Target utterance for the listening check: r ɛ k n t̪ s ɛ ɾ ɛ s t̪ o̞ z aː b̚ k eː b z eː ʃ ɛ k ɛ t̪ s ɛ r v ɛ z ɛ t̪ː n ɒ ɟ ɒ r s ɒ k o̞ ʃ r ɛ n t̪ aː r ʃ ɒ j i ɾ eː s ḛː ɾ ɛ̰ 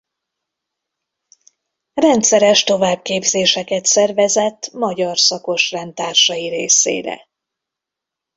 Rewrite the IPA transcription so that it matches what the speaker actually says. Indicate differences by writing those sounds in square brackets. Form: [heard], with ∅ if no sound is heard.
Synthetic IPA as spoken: r ɛ [∅] n t̪ s ɛ ɾ ɛ [ʃ] t̪ o̞ [v] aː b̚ k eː b z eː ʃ ɛ k ɛ t̪ s ɛ r v ɛ z ɛ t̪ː [m] ɒ ɟ ɒ r s ɒ k o̞ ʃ r ɛ n t̪ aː r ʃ ɒ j i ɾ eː s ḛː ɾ ɛ̰